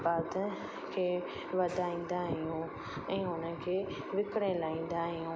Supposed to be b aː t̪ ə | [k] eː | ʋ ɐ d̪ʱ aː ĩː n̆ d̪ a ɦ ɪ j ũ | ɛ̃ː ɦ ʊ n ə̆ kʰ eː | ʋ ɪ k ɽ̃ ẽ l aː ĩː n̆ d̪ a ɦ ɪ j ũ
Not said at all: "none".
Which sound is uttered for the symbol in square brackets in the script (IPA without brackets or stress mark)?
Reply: kʰ